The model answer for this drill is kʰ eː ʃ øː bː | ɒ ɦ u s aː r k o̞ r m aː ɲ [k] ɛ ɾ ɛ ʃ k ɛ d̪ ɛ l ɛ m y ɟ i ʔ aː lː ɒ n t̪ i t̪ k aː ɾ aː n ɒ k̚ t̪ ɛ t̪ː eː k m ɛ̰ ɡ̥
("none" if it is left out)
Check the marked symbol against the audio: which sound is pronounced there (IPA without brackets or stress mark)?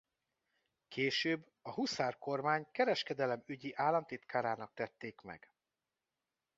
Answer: k